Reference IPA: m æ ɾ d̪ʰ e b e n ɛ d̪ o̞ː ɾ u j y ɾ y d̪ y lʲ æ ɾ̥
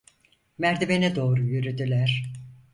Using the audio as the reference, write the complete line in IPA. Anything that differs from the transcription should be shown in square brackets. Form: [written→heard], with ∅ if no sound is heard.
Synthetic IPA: m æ ɾ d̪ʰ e b e n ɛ d̪ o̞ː ɾ u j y ɾ y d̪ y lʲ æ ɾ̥